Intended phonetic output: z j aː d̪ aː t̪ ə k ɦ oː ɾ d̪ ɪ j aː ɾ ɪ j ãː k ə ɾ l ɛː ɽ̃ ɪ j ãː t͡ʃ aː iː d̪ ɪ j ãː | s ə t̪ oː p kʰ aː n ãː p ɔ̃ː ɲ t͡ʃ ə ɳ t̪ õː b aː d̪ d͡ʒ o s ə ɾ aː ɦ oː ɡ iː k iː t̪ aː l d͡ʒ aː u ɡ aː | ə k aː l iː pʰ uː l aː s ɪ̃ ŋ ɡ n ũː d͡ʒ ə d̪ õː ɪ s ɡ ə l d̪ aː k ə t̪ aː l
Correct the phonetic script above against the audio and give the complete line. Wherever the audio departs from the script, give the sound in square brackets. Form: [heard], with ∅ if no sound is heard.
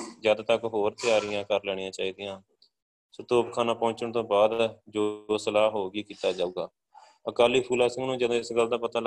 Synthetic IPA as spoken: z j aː d̪ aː t̪ ə k ɦ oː ɾ [t̪] ɪ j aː ɾ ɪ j ãː k ə ɾ l ɛː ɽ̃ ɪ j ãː t͡ʃ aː iː d̪ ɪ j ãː | s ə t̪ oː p kʰ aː n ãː p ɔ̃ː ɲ t͡ʃ ə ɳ t̪ õː b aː d̪ d͡ʒ o s ə [l] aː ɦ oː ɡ iː k iː t̪ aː [∅] d͡ʒ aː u ɡ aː | ə k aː l iː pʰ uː l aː s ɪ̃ ŋ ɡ n ũː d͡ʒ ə d̪ õː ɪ s ɡ ə l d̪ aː [p] ə t̪ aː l